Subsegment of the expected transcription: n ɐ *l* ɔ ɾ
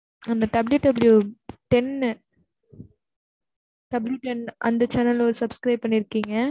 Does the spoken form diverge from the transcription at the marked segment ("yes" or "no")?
no